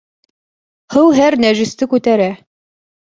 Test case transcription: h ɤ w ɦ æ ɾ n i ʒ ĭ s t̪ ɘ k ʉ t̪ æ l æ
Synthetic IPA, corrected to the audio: h ɤ w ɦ æ ɾ n æ ʒ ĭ s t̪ ɘ k ʉ t̪ æ ɾ æ